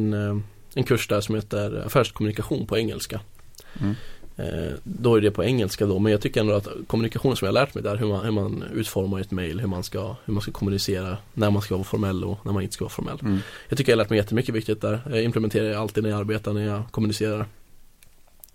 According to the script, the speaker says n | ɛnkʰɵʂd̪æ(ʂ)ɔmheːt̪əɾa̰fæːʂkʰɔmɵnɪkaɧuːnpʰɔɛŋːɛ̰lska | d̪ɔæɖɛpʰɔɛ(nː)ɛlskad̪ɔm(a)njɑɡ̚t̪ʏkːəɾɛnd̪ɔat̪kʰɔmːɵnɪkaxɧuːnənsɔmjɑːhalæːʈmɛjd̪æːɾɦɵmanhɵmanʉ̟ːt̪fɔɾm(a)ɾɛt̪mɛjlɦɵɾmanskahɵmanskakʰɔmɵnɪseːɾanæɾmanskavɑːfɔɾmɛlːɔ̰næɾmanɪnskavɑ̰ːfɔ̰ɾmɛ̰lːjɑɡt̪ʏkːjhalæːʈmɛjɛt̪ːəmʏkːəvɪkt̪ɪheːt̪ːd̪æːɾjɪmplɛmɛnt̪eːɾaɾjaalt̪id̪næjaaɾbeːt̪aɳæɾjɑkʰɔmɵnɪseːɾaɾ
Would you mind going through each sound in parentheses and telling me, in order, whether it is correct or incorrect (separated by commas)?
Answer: correct, incorrect, incorrect, correct